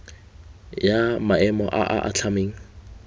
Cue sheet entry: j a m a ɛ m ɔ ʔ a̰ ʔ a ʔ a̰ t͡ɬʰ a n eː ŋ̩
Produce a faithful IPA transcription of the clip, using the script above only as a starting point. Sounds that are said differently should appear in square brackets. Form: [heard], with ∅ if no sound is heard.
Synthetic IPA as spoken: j a m a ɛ m ɔ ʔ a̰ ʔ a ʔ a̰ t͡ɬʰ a [m] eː ŋ̩